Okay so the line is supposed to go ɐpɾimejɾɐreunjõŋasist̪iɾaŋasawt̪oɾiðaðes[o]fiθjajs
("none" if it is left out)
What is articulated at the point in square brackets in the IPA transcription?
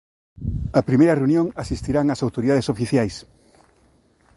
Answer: o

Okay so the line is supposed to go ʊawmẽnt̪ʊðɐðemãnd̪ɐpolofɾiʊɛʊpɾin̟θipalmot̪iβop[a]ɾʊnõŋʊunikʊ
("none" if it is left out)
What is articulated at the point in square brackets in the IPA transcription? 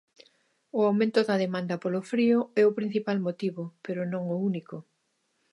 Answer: e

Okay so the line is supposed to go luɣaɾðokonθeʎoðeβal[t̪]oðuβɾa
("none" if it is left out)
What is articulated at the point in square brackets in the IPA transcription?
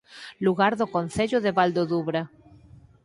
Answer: d̪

